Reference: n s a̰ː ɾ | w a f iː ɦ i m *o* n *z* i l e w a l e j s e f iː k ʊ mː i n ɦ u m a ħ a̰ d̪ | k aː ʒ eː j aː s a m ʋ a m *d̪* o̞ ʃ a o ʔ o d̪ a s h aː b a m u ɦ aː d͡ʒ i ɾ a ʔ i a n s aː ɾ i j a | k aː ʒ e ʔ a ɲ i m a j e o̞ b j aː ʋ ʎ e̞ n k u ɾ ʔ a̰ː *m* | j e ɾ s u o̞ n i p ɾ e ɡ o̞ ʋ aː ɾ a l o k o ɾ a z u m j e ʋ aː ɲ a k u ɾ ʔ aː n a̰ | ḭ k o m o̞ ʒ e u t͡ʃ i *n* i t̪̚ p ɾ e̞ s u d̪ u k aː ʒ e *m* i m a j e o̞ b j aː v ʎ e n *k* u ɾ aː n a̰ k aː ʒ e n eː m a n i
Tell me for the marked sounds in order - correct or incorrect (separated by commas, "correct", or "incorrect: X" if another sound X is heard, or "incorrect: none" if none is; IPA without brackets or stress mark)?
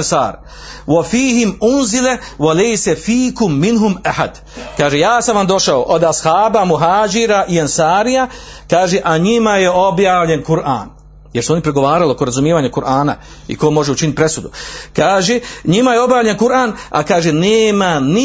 incorrect: u, correct, correct, incorrect: n, correct, incorrect: ɲ, correct